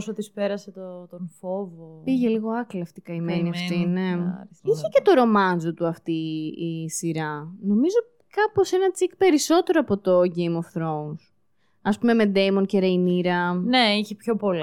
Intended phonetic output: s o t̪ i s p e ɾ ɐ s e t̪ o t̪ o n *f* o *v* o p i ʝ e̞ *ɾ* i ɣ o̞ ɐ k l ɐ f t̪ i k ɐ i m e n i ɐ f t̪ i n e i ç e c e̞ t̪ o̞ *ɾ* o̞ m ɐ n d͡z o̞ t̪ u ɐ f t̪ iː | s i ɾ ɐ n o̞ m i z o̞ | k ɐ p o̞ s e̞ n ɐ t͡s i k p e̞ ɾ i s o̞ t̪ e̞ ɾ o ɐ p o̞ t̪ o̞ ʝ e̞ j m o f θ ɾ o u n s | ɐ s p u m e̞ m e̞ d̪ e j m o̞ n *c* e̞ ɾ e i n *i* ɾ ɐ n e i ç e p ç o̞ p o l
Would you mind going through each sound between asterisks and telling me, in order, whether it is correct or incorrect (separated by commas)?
correct, correct, incorrect, correct, correct, correct